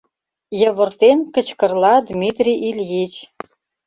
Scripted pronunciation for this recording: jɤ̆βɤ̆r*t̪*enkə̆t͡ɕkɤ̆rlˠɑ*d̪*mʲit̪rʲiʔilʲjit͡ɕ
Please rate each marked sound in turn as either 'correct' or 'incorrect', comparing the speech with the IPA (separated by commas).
correct, correct